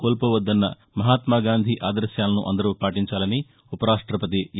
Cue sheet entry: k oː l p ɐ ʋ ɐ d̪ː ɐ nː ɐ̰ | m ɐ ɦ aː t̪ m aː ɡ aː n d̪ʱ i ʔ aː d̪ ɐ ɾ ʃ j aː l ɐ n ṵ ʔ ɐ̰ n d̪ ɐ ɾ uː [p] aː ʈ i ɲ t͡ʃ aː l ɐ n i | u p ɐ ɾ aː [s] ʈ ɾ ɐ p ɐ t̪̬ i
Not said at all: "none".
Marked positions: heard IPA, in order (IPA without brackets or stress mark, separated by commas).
p, ʂ